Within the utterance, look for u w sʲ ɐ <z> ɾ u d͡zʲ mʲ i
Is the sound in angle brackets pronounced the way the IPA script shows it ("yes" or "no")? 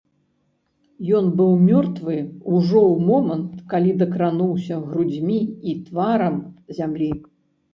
no